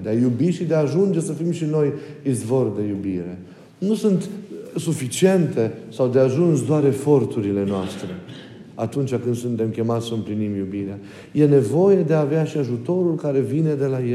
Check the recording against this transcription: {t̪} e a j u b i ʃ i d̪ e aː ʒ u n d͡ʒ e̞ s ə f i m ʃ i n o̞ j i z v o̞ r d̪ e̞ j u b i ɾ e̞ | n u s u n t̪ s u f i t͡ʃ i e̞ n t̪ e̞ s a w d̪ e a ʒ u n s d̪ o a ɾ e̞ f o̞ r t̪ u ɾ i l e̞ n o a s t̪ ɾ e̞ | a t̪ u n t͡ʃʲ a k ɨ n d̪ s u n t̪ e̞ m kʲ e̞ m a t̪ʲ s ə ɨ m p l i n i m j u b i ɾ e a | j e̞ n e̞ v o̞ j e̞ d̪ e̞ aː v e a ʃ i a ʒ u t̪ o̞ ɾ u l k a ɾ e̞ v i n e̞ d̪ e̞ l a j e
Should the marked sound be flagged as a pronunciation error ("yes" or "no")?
yes